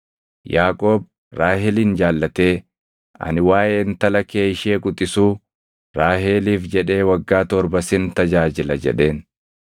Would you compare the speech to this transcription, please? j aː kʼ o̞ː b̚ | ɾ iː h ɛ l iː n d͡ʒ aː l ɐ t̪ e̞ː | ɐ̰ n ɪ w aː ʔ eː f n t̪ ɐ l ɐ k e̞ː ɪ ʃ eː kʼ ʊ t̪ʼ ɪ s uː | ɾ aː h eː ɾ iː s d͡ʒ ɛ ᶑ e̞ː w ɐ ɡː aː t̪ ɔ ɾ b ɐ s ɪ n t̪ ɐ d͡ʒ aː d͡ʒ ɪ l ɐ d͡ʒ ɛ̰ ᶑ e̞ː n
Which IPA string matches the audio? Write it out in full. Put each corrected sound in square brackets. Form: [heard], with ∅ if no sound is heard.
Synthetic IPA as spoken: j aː kʼ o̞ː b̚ | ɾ [aː] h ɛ l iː n d͡ʒ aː [lː] ɐ t̪ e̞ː | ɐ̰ n ɪ w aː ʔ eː [∅] n t̪ ɐ l ɐ k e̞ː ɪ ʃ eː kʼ ʊ t̪ʼ ɪ s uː | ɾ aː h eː [l] iː [f] d͡ʒ ɛ ᶑ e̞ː w ɐ ɡː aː t̪ ɔ ɾ b ɐ s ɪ n t̪ ɐ d͡ʒ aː d͡ʒ ɪ l ɐ d͡ʒ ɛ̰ ᶑ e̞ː n